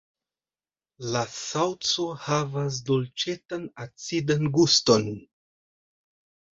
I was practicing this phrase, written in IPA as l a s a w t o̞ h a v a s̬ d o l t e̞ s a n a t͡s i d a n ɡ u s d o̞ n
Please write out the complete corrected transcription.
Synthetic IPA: l a s a w t͡s o̞ h a v a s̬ d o l t͡ʃ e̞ t a n a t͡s i d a n ɡ u s t o̞ n